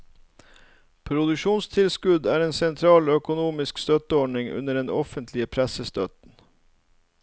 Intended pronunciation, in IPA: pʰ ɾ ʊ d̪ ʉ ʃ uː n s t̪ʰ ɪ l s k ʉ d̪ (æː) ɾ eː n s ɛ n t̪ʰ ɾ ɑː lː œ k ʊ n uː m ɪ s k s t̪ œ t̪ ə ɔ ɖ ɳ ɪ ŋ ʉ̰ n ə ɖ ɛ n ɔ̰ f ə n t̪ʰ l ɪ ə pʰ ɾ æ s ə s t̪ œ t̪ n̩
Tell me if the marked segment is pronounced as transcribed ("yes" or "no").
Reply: yes